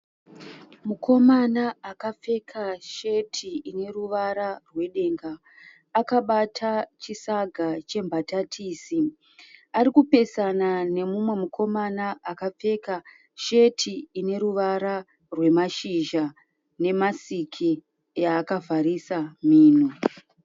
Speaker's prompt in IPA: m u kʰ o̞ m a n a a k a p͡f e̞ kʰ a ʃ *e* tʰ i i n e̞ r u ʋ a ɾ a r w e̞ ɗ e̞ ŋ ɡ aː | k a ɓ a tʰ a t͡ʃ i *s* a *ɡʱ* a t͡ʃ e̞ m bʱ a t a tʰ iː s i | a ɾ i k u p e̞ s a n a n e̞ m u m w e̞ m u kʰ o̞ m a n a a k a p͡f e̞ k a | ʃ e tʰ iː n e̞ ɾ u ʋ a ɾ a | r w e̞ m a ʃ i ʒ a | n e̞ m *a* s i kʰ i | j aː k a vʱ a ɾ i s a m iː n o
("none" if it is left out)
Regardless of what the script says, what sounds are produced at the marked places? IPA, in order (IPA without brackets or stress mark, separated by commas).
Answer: e, s, ɡʱ, a